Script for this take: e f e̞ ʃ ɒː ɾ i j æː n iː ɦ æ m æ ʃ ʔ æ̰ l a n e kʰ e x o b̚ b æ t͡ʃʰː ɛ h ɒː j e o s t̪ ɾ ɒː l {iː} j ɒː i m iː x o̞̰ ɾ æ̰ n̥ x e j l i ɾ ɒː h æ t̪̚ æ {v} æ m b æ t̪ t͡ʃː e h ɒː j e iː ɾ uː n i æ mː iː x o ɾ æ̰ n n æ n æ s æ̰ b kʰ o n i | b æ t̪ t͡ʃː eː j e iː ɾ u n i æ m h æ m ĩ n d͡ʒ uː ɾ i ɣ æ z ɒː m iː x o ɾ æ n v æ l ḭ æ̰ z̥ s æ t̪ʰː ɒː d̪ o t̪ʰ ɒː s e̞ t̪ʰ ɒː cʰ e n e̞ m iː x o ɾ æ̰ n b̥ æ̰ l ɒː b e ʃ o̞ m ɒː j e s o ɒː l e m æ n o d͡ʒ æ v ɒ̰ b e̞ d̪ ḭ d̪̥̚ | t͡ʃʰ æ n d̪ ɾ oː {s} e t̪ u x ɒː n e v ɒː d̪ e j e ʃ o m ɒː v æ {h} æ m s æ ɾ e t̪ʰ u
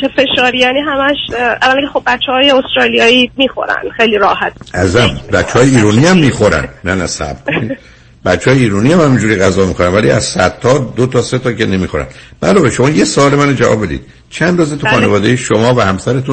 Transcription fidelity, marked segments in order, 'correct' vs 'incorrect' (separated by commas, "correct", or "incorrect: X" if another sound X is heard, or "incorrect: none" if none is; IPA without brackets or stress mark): incorrect: i, incorrect: z, incorrect: z, correct